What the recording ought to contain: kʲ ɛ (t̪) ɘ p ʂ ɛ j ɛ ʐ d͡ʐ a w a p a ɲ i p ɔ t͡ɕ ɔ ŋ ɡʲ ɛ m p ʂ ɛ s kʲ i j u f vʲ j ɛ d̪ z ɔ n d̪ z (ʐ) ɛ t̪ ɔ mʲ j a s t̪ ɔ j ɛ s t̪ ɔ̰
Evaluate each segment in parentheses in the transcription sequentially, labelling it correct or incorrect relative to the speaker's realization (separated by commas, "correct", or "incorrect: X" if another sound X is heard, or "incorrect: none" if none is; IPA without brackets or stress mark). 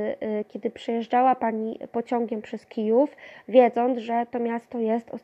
incorrect: d̪, correct